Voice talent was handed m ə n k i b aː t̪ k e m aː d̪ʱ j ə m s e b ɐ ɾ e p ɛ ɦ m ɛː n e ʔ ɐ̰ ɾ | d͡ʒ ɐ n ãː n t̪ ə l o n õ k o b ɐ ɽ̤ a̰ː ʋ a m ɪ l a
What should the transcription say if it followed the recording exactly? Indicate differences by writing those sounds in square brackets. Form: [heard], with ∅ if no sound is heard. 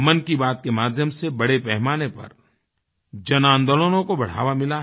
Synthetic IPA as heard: m ə n k i b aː t̪ k e m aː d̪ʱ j ə m s e b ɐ [ɽ] e p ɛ ɦ m [aː] n e [p] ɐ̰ ɾ | d͡ʒ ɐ n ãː n [d̪] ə l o n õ k o b ɐ ɽ̤ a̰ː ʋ a m ɪ l a